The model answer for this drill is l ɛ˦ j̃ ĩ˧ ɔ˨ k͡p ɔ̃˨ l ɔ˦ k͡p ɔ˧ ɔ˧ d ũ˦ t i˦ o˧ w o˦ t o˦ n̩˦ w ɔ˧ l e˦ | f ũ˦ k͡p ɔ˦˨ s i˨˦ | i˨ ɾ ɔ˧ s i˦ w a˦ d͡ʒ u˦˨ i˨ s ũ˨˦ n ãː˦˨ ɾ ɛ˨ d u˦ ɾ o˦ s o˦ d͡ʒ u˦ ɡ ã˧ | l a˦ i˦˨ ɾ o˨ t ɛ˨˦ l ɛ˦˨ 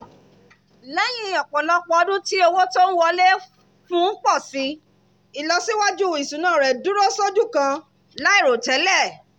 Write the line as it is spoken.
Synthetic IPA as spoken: l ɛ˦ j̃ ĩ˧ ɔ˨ k͡p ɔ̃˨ l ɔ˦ k͡p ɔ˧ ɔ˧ d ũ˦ t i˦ o˧ w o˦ t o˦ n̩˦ w ɔ˧ l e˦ | f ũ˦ k͡p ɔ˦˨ s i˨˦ | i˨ l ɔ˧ s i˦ w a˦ d͡ʒ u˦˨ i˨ s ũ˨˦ n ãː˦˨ ɾ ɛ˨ d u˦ ɾ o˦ s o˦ d͡ʒ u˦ k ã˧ | l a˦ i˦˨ ɾ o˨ t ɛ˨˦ l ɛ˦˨